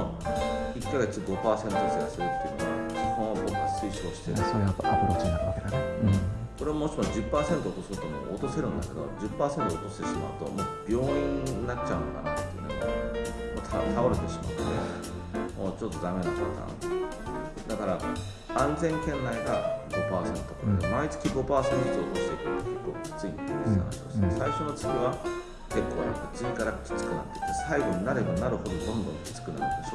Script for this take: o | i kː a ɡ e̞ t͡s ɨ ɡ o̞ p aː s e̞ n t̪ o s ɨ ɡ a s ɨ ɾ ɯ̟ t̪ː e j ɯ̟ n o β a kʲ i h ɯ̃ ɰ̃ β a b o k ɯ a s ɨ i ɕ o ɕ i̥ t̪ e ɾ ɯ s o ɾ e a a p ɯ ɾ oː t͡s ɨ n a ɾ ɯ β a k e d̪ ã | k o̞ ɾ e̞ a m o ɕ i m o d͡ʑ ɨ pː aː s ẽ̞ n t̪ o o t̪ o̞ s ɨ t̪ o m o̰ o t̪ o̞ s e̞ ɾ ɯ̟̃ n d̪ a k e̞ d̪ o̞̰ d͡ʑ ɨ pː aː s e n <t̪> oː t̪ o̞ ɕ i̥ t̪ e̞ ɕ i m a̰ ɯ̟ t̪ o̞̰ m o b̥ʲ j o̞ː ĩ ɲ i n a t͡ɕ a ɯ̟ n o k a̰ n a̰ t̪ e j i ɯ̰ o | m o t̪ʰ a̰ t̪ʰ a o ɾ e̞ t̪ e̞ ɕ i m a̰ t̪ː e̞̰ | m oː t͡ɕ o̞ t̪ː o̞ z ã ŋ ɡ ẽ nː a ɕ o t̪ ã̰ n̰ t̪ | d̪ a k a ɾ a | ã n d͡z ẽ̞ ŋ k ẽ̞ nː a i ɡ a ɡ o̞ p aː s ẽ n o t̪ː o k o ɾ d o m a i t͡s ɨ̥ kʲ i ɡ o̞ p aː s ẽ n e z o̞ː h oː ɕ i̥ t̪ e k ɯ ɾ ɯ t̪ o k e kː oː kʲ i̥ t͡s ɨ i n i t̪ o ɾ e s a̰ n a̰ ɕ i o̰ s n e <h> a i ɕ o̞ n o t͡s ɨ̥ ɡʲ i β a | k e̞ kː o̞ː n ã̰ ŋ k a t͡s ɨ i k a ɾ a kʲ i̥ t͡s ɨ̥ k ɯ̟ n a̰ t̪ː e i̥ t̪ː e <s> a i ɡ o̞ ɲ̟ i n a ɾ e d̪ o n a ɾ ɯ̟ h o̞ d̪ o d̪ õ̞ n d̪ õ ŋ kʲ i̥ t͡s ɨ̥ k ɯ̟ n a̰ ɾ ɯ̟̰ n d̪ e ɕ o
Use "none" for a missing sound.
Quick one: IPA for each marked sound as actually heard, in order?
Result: t̪, s, s

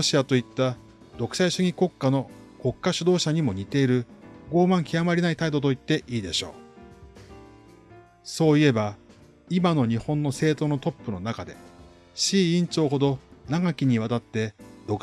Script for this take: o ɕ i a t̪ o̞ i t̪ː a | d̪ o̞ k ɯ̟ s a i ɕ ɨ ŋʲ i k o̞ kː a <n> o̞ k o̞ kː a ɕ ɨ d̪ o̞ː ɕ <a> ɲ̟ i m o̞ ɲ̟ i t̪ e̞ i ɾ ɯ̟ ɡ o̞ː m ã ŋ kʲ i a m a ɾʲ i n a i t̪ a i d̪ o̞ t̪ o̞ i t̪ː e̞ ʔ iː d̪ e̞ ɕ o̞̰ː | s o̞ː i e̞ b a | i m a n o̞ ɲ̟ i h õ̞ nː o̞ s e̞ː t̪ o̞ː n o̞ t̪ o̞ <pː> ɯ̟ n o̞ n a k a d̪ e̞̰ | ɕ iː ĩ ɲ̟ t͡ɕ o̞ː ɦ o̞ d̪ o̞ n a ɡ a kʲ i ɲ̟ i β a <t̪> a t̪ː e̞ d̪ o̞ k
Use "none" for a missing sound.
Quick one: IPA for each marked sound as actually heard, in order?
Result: n, a, pː, t̪

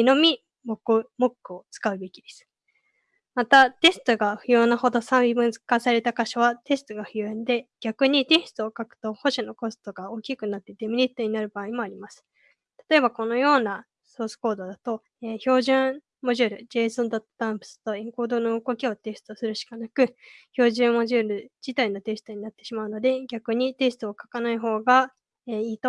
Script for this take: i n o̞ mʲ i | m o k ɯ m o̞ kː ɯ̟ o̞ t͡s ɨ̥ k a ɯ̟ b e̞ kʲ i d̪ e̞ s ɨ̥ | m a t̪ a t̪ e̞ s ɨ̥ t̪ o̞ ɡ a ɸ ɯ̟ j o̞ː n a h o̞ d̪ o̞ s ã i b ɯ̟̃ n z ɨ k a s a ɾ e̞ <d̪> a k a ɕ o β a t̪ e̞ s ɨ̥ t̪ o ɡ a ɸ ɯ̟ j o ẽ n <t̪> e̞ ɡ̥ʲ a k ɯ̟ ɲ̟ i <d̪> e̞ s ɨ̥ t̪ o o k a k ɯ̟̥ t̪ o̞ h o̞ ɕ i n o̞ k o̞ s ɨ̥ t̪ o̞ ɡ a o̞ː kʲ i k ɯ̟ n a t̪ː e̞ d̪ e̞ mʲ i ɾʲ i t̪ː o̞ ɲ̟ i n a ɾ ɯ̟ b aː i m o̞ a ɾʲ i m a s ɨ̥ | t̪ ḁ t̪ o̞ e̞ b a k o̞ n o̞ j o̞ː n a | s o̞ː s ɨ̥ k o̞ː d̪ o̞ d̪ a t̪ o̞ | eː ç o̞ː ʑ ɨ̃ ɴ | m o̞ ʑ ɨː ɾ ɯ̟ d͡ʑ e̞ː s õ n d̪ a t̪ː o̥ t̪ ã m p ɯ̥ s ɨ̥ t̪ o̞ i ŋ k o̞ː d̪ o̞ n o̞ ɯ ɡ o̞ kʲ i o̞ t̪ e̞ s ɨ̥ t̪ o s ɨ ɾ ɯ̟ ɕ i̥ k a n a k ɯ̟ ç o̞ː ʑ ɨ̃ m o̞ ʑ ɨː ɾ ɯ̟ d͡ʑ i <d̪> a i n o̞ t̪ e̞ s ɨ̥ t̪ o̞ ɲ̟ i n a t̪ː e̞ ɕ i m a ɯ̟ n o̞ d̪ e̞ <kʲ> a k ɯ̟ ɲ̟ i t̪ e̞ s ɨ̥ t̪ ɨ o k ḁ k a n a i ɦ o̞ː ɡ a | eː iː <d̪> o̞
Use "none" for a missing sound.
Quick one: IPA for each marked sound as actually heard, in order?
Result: t̪, d̪, t̪, t̪, ɡʲ, t̪

